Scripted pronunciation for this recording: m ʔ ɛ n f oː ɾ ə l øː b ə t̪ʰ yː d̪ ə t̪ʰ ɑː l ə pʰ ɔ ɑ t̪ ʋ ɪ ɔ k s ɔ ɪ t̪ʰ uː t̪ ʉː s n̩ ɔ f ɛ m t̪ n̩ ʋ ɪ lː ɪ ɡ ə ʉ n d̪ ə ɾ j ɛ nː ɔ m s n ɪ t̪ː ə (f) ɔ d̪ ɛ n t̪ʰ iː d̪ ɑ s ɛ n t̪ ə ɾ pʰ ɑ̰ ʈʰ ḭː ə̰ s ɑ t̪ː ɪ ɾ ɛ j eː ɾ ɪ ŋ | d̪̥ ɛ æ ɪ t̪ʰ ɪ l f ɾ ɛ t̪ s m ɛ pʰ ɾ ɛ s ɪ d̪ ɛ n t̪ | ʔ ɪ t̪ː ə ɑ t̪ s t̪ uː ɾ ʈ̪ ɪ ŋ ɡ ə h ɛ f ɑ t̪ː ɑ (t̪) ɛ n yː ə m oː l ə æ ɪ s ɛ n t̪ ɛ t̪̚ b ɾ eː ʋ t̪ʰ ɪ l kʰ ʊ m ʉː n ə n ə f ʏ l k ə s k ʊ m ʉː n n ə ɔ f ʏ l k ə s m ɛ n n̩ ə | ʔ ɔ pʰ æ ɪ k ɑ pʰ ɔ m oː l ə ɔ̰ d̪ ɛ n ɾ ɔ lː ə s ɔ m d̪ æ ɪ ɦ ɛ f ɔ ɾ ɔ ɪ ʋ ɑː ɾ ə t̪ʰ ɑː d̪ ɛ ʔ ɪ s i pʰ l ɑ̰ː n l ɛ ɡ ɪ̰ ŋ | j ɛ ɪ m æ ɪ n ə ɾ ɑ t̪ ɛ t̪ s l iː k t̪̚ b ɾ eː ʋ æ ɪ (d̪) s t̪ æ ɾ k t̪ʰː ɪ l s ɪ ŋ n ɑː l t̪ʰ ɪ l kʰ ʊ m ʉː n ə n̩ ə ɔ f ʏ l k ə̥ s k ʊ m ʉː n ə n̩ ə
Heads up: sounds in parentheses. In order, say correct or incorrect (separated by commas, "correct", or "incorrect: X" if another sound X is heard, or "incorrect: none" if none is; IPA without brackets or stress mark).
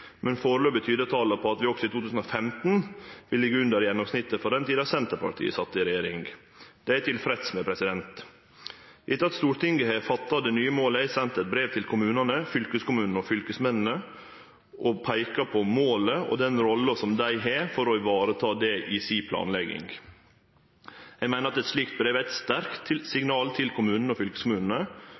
correct, incorrect: d̪, incorrect: t̪